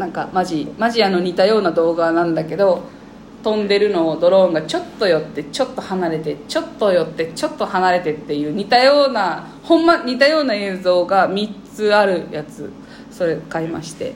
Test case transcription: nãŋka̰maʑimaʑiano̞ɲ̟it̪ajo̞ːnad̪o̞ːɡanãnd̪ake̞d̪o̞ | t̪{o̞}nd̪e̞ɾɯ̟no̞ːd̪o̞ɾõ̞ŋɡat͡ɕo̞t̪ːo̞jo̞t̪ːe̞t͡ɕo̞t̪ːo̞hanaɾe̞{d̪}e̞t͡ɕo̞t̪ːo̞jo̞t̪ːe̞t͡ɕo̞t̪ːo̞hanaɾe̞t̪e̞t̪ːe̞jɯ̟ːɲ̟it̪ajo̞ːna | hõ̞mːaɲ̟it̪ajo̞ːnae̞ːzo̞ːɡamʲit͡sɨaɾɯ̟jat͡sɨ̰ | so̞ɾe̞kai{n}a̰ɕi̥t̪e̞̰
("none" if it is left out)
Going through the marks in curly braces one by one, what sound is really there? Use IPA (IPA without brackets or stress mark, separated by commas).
õ̞, t̪, m